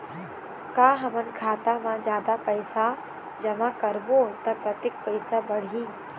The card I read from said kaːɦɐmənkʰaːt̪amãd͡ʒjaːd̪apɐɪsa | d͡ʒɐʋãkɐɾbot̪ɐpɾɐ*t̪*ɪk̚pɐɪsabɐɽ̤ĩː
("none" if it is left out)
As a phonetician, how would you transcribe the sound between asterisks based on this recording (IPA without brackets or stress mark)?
t̪